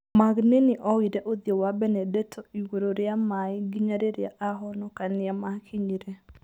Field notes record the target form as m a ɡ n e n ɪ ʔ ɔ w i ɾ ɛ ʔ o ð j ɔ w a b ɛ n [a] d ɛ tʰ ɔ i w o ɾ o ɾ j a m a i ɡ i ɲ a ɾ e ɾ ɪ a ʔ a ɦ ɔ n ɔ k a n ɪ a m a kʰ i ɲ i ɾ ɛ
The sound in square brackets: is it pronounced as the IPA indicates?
no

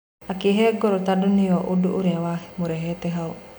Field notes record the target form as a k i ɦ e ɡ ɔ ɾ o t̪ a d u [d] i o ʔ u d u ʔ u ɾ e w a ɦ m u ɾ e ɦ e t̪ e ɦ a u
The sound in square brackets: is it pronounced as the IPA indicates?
no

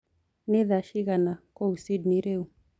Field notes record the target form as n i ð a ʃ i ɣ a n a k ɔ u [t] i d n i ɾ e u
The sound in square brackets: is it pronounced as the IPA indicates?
no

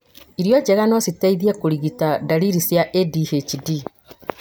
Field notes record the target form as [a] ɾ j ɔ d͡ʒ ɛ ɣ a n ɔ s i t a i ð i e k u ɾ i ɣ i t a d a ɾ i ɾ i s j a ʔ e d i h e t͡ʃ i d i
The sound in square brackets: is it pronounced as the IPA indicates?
no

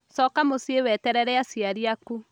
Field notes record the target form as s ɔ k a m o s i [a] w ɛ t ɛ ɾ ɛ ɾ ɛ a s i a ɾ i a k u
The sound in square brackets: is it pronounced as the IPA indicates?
no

